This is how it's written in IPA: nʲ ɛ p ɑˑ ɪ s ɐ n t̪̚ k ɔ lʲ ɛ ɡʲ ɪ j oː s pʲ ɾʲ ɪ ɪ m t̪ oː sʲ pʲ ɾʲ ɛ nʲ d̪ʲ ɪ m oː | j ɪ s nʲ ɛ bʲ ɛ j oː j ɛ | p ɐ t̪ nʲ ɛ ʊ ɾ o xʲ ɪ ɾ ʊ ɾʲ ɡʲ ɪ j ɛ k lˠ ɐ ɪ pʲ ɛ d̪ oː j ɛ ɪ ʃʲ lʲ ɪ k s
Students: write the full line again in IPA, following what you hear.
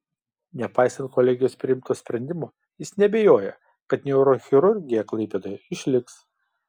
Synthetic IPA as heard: nʲ ɛ p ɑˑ ɪ s ɐ n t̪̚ k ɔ lʲ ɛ ɡʲ ɪ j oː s pʲ ɾʲ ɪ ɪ m t̪ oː sʲ pʲ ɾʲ ɛ nʲ d̪ʲ ɪ m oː | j ɪ s nʲ ɛ bʲ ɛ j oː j ɛ | k ɐ t̪ nʲ ɛ ʊ ɾ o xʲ ɪ ɾ ʊ ɾʲ ɡʲ ɪ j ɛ k lˠ ɐ ɪ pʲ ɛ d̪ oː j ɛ ɪ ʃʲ lʲ ɪ k s